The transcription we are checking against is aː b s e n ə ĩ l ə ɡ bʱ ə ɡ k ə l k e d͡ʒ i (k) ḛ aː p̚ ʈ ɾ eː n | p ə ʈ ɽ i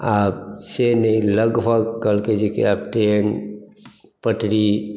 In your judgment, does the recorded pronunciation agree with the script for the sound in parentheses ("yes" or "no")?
yes